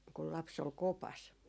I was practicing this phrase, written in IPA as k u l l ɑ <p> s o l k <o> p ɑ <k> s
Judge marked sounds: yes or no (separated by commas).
yes, yes, no